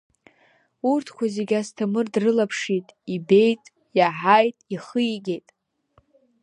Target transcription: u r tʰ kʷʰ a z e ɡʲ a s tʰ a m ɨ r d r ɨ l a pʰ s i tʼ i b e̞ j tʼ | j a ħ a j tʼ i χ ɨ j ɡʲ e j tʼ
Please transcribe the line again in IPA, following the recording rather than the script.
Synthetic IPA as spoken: u r tʰ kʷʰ a z e ɡʲ a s tʰ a m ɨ r d r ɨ l a pʰ ʂ i tʼ i b e̞ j tʼ | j a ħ a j tʼ i χ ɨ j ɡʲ e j tʼ